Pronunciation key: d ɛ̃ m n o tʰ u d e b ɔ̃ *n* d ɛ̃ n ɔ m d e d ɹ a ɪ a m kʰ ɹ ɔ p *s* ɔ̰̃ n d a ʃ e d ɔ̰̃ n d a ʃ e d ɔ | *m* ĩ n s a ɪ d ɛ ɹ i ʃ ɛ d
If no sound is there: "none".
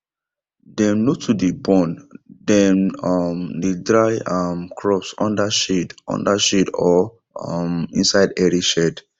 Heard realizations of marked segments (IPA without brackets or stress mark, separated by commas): n, s, m